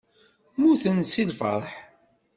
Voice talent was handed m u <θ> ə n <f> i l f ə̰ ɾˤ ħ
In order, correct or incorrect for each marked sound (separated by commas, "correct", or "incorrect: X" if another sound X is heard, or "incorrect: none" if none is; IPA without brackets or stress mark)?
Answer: correct, incorrect: s